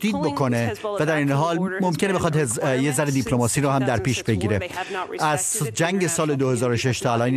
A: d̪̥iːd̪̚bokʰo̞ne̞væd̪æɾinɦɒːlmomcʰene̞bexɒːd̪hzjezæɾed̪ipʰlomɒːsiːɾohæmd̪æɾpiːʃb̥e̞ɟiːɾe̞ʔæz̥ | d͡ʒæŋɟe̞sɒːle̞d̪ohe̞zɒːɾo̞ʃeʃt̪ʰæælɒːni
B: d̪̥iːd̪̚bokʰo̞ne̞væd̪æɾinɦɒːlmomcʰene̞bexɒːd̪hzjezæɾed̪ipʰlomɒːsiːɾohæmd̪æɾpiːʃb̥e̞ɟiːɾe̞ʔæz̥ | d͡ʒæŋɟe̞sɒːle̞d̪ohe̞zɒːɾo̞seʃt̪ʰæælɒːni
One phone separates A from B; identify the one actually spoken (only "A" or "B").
A